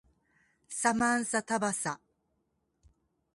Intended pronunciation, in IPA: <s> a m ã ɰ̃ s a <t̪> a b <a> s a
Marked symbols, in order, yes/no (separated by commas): yes, yes, yes